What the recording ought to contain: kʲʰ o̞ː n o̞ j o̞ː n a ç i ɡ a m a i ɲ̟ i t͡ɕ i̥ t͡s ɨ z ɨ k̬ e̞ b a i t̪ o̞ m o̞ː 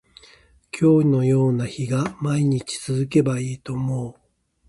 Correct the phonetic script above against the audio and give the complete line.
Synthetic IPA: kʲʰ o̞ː n o̞ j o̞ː n a ç i ɡ a m a i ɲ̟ i t͡ɕ i̥ t͡s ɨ z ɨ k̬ e̞ b a iː t̪ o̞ m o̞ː